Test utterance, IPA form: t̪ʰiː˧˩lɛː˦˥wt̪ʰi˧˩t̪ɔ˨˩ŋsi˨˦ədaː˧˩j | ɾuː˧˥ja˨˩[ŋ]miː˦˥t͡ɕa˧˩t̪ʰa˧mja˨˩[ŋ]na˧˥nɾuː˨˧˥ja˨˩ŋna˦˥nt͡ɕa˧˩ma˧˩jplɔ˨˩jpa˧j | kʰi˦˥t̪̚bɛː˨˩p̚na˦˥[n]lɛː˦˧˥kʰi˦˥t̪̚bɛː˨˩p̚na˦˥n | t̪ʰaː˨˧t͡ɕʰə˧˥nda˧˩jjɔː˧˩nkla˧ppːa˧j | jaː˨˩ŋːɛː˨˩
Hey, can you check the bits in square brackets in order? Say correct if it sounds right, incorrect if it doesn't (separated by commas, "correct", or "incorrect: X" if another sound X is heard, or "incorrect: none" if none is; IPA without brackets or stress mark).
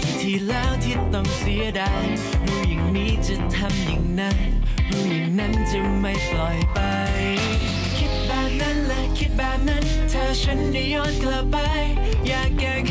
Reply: correct, correct, correct